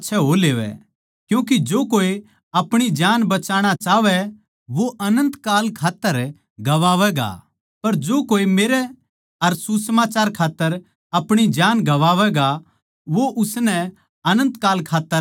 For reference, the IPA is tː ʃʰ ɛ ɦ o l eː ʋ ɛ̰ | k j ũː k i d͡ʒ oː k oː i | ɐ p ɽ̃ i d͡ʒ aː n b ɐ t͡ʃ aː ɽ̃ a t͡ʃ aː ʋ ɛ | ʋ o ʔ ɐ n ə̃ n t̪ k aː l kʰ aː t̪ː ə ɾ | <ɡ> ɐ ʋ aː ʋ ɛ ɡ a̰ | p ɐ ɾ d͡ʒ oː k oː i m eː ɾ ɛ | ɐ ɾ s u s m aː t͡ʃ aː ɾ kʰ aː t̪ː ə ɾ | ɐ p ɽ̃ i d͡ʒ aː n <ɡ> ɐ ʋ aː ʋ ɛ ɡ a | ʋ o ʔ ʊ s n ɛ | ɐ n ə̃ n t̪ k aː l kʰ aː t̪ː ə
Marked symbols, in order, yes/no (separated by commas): yes, yes